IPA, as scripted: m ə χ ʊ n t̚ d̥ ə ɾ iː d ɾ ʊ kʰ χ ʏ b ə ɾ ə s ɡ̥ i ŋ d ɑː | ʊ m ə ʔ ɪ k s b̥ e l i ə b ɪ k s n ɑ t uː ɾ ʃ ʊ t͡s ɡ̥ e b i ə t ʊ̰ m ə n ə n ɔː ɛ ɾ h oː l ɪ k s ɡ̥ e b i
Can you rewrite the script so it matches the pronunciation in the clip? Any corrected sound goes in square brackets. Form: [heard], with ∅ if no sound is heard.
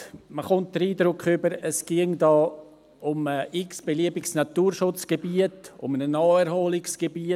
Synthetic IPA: m ə χ ʊ n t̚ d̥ ə ɾ iː d ɾ ʊ [k] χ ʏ b ə ɾ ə s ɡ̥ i ŋ d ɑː | ʊ m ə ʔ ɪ k s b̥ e l i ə b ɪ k s n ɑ t uː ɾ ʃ ʊ t͡s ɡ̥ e b i ə t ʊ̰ m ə n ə n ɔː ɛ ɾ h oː l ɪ k s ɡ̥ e b i